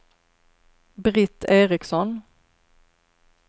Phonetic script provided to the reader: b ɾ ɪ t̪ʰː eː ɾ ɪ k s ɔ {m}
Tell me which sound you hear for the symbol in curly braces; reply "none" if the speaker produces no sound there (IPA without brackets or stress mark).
n